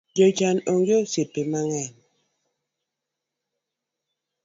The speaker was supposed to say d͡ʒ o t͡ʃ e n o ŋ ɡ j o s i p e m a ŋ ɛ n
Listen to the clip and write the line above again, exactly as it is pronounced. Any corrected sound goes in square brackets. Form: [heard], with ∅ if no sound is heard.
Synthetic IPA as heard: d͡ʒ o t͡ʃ [a] n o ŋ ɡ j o s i p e m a ŋ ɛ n